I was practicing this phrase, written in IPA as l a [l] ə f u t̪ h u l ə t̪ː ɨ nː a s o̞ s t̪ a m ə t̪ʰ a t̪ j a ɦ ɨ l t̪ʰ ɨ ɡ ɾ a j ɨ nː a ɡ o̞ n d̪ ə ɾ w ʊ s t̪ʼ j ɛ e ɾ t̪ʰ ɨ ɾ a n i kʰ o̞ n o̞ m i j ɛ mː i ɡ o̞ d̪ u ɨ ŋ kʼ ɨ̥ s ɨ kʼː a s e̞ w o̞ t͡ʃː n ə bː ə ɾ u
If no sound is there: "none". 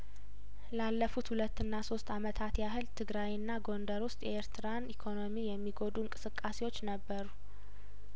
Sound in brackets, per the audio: lː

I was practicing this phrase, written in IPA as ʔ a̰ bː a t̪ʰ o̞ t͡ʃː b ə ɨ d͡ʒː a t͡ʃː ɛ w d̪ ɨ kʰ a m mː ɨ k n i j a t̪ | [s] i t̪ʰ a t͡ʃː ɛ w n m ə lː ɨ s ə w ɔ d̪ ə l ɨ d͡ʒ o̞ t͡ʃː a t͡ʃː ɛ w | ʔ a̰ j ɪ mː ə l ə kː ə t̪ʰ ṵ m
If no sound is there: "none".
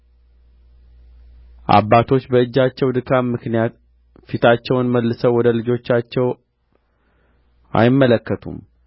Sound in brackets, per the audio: f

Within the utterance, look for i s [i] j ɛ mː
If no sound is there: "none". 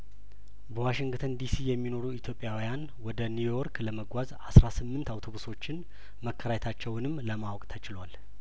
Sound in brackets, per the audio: i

